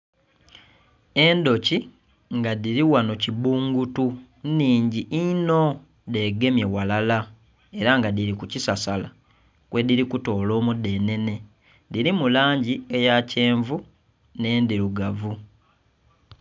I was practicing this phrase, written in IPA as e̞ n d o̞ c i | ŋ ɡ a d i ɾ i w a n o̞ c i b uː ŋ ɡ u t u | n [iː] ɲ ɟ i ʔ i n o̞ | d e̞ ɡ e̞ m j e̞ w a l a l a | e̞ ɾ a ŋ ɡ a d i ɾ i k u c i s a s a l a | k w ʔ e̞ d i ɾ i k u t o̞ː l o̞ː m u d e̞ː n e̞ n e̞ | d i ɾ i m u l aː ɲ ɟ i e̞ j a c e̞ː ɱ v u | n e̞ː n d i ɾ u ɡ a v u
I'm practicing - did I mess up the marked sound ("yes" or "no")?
no